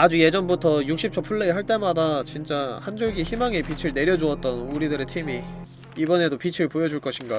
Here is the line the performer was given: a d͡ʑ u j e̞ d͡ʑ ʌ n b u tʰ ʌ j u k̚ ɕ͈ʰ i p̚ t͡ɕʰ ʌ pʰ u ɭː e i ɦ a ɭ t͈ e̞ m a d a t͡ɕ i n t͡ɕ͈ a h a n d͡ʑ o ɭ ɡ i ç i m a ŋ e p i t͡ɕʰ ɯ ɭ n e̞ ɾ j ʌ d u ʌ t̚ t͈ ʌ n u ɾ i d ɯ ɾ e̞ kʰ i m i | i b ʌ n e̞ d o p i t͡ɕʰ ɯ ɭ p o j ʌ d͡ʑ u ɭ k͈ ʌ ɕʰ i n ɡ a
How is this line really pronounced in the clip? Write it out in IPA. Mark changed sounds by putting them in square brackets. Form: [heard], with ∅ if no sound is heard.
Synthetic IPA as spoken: a d͡ʑ u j e̞ d͡ʑ ʌ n b u tʰ ʌ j u k̚ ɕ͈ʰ i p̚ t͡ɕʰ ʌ pʰ u ɭː e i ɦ a ɭ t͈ e̞ m a d a t͡ɕ i n t͡ɕ͈ a h a n d͡ʑ o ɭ ɡ i ç i m a ŋ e p i t͡ɕʰ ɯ ɭ n e̞ ɾ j ʌ [d͡ʑ] u ʌ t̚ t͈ ʌ n u ɾ i d ɯ ɾ e̞ [tʰ] i m i | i b ʌ n e̞ d o p i t͡ɕʰ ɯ ɭ p o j ʌ d͡ʑ u ɭ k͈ ʌ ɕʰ i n ɡ a